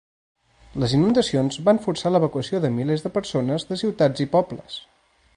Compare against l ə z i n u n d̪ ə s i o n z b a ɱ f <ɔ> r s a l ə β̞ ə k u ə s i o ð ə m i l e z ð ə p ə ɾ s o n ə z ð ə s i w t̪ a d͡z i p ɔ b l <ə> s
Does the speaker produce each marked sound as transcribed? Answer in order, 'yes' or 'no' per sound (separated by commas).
no, yes